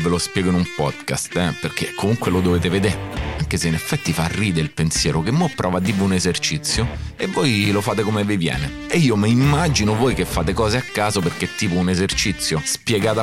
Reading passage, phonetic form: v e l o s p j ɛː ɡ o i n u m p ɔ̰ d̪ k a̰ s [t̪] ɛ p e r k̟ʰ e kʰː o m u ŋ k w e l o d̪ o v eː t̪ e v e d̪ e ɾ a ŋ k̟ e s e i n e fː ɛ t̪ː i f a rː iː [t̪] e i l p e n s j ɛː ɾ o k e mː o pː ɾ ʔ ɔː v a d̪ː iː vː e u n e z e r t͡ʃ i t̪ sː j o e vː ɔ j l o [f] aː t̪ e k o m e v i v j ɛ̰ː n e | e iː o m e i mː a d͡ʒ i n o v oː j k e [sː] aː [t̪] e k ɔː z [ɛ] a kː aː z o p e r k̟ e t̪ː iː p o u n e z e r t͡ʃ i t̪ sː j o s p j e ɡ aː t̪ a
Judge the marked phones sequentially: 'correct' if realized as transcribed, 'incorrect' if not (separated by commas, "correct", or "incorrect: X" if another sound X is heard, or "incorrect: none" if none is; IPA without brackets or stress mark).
correct, incorrect: d̪, correct, incorrect: fː, correct, incorrect: e